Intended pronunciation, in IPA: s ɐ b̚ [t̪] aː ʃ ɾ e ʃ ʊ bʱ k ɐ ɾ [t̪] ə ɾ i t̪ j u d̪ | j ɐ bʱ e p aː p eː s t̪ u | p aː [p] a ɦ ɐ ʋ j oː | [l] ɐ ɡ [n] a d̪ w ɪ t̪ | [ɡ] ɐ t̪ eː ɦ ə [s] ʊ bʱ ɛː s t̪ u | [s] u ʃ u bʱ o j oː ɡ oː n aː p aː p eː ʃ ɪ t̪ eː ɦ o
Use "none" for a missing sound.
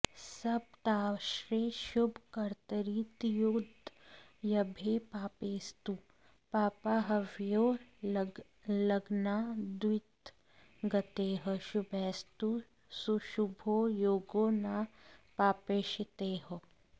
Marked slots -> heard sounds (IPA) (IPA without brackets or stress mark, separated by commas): t̪, t̪, p, l, n, ɡ, ʃ, s